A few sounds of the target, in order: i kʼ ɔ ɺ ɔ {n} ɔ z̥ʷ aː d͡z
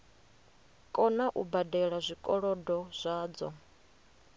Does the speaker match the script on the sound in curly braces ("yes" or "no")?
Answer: no